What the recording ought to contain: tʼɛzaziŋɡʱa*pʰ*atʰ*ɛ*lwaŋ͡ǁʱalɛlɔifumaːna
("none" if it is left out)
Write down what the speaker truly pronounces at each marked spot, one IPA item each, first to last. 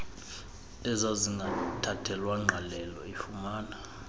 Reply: tʰ, ɛ

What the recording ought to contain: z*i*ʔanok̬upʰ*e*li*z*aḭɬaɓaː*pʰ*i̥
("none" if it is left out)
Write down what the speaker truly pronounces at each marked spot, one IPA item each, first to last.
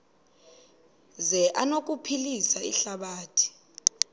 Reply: ɛ, i, s, tʰ

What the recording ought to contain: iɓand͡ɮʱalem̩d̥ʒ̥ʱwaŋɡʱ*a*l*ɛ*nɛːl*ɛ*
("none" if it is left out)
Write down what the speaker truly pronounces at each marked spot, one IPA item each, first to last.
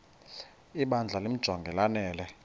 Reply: ɛ, a, ɛ

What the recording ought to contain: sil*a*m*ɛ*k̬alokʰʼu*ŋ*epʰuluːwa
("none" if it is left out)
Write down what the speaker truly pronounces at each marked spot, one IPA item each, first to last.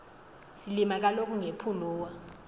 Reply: i, a, ŋ

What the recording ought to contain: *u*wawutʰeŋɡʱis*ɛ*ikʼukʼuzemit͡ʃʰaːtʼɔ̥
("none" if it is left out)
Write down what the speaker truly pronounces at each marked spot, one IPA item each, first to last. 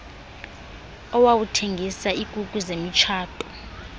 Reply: ɔ, a

